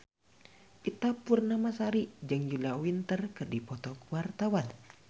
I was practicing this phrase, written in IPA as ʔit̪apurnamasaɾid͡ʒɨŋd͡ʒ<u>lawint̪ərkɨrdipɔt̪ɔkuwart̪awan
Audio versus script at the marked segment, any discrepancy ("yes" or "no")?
no